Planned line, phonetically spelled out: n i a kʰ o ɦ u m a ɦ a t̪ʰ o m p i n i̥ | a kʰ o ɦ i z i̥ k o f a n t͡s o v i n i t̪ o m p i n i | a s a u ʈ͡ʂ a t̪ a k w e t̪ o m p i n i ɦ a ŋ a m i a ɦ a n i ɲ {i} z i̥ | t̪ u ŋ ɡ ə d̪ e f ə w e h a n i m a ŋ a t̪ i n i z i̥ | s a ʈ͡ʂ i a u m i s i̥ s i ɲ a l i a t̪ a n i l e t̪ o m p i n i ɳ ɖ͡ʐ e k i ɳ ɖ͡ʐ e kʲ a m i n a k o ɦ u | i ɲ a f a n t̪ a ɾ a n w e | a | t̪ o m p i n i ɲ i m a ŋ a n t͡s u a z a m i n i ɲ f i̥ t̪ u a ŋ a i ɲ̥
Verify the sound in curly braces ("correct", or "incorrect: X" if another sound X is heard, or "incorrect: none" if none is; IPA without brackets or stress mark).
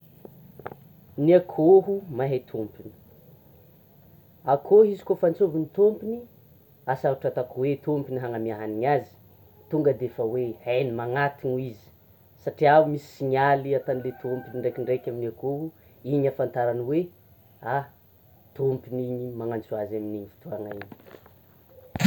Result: incorrect: a